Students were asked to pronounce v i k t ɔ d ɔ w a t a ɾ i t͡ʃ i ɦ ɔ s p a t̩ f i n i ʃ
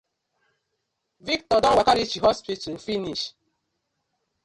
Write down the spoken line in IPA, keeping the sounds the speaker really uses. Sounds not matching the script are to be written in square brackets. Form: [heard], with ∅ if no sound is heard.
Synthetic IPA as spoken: v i k t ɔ d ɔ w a [k] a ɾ i t͡ʃ i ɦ ɔ s p [i] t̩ f i n i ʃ